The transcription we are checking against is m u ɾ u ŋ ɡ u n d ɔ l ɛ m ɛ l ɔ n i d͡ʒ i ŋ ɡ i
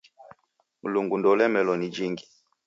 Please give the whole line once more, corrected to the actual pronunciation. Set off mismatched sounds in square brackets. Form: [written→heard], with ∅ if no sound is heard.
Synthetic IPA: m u [ɾ→l] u ŋ ɡ u n d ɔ l ɛ m ɛ l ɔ n i d͡ʒ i ŋ ɡ i